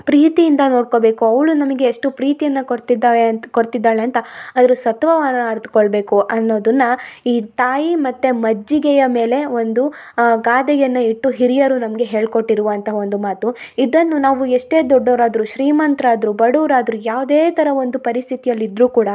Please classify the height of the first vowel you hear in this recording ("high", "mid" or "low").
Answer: high